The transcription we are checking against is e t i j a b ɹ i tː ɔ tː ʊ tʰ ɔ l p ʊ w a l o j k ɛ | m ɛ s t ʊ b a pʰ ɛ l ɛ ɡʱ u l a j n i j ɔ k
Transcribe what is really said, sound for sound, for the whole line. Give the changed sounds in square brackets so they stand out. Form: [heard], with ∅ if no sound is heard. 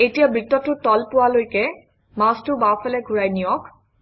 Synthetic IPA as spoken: e t i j a b ɹ i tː ɔ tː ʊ [t] ɔ l p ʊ w a l o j k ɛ | m [a] s t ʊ b a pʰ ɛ l ɛ ɡʱ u [ɹ] a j n i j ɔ k